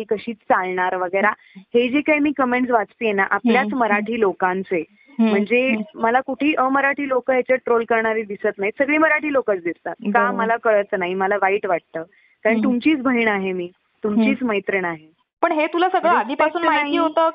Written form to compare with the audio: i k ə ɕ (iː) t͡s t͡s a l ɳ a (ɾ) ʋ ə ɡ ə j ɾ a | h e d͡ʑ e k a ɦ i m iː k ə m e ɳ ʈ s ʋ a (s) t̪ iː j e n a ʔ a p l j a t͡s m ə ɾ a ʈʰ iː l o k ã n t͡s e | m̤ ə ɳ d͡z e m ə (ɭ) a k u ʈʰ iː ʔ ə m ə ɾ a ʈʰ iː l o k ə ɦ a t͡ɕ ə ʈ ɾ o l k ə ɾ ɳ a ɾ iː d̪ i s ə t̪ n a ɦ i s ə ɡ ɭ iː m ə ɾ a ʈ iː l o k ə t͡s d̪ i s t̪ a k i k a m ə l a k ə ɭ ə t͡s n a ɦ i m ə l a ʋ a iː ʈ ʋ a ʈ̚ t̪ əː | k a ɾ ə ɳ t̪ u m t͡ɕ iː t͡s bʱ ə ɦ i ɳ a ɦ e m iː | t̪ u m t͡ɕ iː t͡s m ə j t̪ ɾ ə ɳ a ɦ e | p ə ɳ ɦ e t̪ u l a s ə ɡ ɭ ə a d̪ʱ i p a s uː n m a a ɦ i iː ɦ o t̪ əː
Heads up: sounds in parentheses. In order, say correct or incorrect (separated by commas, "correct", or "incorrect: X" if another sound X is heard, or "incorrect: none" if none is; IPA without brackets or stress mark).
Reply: correct, correct, incorrect: t͡s, incorrect: l